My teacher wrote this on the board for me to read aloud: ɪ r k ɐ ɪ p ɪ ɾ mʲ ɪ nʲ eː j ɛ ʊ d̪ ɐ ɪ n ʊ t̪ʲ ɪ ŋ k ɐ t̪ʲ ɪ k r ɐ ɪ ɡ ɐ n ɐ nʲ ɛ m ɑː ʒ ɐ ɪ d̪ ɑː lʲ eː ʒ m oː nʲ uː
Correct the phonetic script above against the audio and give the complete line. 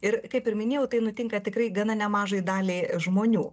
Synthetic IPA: ɪ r k ɐ ɪ p ɪ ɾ mʲ ɪ nʲ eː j ɛ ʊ t̪ ɐ ɪ n ʊ t̪ʲ ɪ ŋ k ɐ t̪ʲ ɪ k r ɐ ɪ ɡ ɐ n ɐ nʲ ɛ m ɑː ʒ ɐ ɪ d̪ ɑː lʲ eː ʒ m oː nʲ uː